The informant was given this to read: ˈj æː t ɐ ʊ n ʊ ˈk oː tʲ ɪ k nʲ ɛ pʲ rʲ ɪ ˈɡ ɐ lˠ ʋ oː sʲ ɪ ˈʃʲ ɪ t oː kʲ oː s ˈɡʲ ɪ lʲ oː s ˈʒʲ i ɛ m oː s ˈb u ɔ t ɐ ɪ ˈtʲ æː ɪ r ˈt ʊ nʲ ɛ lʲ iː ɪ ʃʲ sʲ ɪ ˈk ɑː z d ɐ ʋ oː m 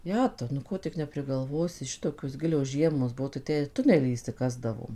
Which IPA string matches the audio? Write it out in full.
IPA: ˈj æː t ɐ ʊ n ʊ ˈk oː tʲ ɪ k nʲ ɛ pʲ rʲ ɪ ˈɡ ɐ lˠ ʋ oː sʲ ɪ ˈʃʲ ɪ t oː kʲ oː s ˈɡʲ ɪ lʲ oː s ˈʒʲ i ɛ m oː s ˈb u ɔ t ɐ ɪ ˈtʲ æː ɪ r ˈt ʊ nʲ ɛ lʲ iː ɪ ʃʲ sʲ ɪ ˈk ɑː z d ɐ ʋ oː m